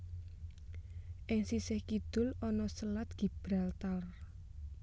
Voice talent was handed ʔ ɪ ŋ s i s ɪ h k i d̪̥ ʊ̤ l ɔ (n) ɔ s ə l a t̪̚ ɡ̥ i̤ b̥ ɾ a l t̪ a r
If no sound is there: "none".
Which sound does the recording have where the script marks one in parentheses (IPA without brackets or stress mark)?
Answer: n